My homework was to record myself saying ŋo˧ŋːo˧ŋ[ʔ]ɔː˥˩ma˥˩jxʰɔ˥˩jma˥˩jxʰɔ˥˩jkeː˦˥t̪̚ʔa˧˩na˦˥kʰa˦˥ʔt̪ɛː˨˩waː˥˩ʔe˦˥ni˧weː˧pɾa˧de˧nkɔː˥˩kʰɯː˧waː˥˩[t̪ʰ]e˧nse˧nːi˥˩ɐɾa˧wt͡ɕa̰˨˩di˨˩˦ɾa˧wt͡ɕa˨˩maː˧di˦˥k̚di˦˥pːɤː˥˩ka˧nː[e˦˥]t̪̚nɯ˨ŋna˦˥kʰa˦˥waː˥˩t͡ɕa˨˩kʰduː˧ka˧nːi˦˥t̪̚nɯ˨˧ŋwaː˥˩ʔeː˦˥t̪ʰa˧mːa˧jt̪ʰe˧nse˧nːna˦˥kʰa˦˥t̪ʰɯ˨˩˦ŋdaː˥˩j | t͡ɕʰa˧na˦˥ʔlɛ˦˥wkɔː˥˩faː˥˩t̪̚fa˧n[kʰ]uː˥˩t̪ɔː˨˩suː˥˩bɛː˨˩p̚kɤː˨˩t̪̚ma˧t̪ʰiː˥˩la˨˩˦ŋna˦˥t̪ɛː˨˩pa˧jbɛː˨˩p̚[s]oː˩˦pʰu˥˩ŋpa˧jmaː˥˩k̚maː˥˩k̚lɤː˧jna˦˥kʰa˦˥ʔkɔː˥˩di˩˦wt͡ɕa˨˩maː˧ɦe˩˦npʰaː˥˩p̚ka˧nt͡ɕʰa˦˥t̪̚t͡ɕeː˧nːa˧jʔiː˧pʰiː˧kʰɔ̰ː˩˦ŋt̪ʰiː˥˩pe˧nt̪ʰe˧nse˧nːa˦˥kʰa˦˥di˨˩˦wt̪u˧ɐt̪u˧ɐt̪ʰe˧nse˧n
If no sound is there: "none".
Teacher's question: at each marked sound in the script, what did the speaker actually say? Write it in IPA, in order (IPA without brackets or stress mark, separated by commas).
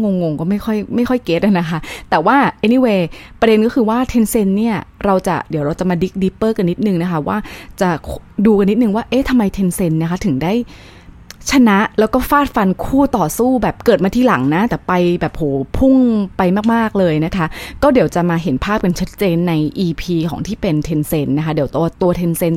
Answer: k, t̪ʰ, i˦˥, kʰ, h